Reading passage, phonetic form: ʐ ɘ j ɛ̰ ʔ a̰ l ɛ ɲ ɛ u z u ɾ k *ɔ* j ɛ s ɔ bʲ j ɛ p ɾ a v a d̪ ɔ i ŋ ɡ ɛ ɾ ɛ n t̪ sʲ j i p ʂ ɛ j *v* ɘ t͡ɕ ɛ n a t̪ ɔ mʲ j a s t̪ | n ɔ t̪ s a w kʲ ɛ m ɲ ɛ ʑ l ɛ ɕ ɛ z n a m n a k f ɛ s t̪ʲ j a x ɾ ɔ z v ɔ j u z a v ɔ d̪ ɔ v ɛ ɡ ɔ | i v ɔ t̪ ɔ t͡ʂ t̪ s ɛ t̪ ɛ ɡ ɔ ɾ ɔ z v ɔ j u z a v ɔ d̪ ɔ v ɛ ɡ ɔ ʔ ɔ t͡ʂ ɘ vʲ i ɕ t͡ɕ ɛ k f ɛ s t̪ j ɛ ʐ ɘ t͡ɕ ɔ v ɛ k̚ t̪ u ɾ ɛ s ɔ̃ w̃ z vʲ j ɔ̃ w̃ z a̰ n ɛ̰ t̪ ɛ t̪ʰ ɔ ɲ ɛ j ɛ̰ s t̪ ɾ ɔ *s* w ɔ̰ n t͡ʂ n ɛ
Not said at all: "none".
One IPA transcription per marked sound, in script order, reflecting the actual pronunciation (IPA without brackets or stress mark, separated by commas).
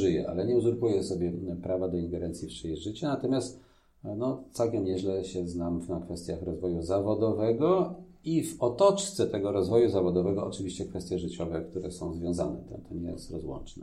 u, ʐ, z